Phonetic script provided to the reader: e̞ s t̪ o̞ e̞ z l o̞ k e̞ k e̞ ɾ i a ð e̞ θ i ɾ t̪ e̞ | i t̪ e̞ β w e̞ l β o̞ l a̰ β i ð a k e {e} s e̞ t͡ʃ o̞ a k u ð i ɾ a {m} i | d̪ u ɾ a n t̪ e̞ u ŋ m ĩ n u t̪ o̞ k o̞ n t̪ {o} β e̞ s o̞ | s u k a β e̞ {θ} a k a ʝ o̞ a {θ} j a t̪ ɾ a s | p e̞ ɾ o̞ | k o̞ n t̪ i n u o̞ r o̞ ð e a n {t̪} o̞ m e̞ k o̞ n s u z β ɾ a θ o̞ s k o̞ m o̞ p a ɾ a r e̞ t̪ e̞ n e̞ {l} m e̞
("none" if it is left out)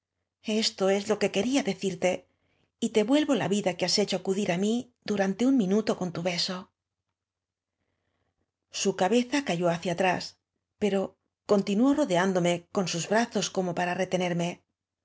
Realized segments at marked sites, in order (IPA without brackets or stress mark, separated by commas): a, m, u, θ, θ, d̪, ɾ